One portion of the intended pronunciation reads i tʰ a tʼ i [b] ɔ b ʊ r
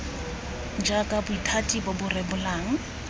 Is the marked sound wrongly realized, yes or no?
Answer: no